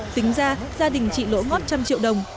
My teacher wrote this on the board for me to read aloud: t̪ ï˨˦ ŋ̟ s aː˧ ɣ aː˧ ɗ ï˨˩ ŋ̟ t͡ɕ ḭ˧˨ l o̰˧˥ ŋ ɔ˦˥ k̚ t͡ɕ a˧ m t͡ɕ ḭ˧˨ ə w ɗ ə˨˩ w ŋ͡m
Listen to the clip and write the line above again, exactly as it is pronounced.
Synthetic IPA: t̪ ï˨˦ ŋ̟ z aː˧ z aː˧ ɗ ï˨˩ ŋ̟ t͡ɕ ḭ˧˨ l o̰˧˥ ŋ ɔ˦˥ t̚ t͡ɕ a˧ m t͡ɕ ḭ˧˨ ə w ɗ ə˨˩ w ŋ͡m